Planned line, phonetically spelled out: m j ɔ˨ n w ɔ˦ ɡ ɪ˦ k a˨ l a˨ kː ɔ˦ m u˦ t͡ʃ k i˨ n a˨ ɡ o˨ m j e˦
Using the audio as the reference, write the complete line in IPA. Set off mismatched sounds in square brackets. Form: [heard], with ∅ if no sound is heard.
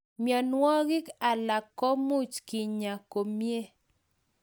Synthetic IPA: m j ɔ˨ n w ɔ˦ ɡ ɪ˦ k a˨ l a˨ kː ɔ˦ m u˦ t͡ʃ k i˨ [ɲ] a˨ [k] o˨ m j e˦